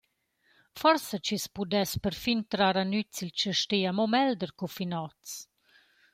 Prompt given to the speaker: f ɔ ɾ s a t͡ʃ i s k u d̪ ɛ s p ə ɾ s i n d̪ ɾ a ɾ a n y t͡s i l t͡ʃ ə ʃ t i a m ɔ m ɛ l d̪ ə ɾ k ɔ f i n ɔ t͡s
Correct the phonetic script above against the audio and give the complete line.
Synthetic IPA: f ɔ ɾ s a t͡ʃ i s p u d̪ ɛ s p ə ɾ f i n t̪ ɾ a ɾ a n y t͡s i l t͡ʃ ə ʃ t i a m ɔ m ɛ l d̪ ə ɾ k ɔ f i n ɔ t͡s